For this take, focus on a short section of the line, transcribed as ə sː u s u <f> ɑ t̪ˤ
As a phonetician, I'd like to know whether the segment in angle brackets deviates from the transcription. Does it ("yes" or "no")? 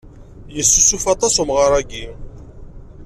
no